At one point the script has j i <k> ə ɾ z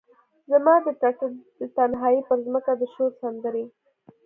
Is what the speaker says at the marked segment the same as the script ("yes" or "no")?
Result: no